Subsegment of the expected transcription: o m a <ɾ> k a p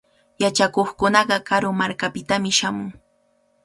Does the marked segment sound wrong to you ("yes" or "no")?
no